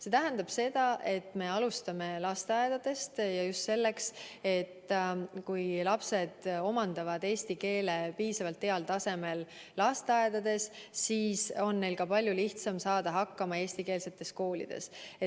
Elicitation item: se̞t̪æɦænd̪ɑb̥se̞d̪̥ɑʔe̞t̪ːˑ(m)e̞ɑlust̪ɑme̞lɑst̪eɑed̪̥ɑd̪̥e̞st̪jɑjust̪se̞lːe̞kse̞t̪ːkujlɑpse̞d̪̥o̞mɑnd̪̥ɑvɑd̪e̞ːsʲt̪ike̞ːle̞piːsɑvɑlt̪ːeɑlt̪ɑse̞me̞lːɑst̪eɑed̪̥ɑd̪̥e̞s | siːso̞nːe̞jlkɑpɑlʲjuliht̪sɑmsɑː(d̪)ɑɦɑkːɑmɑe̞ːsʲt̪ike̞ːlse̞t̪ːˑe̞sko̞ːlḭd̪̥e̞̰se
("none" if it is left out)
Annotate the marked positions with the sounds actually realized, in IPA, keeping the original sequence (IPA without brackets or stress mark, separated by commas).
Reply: m, d̪